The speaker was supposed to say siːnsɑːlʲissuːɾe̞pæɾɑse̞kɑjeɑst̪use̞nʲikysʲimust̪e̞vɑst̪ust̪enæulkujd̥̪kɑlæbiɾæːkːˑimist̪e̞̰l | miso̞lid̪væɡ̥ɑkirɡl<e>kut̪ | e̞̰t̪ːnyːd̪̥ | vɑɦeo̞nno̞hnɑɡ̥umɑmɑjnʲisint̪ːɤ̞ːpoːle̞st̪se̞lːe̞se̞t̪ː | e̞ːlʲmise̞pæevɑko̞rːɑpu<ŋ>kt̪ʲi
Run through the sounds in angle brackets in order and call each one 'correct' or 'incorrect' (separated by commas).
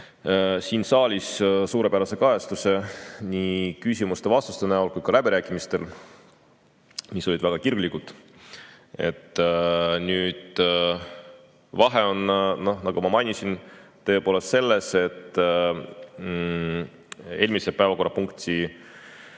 incorrect, correct